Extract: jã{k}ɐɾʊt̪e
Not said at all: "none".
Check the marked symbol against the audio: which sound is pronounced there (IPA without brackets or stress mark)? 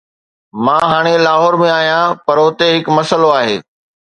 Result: p